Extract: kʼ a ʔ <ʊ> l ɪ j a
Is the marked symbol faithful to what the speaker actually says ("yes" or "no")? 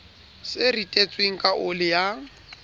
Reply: yes